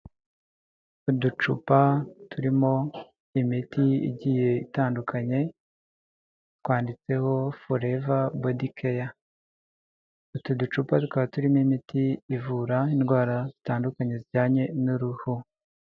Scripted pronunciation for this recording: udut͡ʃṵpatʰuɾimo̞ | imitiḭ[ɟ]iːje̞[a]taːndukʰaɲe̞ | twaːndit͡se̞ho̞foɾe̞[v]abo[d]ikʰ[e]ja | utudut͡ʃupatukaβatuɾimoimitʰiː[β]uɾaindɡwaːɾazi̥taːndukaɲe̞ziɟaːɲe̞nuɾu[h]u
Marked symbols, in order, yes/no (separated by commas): yes, no, yes, yes, yes, no, yes